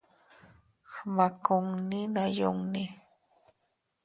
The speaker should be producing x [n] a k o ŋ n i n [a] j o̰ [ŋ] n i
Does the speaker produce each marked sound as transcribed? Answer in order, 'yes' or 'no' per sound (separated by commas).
no, yes, yes